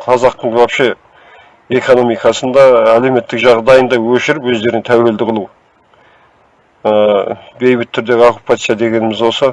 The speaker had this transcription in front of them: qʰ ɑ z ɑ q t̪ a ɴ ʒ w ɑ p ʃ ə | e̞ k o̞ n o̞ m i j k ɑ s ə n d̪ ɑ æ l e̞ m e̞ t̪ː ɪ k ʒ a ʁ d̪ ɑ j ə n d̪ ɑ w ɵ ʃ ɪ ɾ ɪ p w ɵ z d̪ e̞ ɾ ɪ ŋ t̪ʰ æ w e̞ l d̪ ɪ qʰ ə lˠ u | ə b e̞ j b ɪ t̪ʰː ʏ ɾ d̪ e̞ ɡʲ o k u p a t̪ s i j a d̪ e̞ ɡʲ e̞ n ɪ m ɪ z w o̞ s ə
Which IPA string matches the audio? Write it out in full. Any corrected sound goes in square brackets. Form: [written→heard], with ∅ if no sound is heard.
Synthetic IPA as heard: qʰ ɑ z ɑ q t̪ [a→ə] ɴ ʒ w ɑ p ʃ ə | e̞ k o̞ n o̞ m i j k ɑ s ə n d̪ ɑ æ l e̞ m e̞ t̪ː ɪ k ʒ [a→ɑ] ʁ d̪ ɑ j ə n d̪ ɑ w ɵ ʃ ɪ ɾ ɪ p w ɵ z d̪ e̞ ɾ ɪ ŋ t̪ʰ æ w e̞ l d̪ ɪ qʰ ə lˠ u | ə b e̞ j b ɪ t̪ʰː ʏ ɾ d̪ e̞ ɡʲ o k u p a t̪ s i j a d̪ e̞ ɡʲ e̞ n ɪ m ɪ z w o̞ s ə